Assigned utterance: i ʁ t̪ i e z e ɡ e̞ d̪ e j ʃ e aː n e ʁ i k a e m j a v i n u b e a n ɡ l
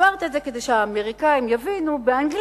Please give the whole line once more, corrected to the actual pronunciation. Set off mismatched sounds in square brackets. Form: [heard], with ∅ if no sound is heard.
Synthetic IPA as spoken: [a] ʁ t̪ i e z e [k] e̞ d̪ e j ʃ e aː [m] e ʁ i k a [i] m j a v i n u b e a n ɡ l